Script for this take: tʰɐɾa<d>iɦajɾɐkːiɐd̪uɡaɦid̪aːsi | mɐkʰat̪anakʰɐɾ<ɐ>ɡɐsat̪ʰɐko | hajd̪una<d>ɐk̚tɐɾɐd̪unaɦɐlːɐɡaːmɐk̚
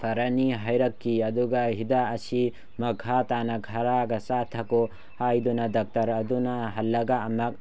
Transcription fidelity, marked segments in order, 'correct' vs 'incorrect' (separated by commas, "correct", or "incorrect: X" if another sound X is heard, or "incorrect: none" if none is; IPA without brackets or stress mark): incorrect: n, incorrect: a, correct